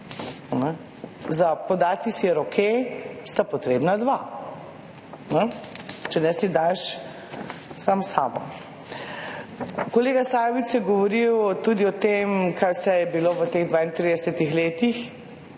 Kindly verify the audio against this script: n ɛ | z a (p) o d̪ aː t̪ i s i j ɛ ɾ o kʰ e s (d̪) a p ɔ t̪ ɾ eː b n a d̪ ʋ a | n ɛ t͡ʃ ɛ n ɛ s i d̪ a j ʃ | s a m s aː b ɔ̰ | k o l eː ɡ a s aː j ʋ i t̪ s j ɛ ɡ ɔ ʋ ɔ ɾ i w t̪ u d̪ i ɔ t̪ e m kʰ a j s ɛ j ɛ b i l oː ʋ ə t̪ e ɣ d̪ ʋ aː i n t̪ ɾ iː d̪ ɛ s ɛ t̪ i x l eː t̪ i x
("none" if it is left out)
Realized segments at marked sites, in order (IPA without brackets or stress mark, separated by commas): p, t̪